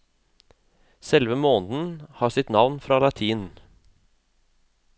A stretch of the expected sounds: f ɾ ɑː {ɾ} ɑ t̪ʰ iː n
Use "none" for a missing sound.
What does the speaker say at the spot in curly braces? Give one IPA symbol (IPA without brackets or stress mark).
l